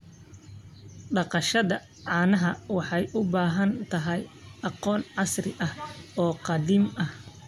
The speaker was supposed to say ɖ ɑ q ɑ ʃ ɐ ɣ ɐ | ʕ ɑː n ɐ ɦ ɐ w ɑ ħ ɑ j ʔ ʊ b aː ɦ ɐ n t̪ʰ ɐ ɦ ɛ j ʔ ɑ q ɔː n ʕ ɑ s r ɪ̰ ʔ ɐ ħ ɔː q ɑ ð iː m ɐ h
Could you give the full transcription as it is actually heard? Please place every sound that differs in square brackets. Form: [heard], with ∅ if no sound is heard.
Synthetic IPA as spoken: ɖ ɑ q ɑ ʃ ɐ [ð] ɐ | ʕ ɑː n ɐ ɦ ɐ w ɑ ħ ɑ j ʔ ʊ b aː ɦ ɐ n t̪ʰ ɐ ɦ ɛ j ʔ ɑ q ɔː n ʕ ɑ s r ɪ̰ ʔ ɐ [h] ɔː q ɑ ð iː m ɐ h